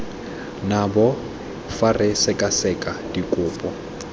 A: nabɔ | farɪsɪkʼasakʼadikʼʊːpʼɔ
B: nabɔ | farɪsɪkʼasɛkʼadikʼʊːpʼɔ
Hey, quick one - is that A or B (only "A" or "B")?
B